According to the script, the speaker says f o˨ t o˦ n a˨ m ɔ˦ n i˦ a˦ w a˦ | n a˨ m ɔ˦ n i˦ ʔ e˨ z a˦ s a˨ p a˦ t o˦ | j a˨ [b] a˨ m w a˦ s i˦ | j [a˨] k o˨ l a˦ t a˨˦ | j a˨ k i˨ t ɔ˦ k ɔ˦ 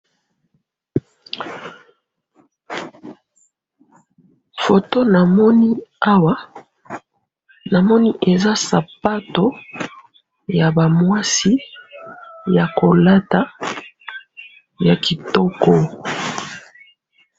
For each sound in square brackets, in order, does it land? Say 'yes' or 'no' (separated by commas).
yes, yes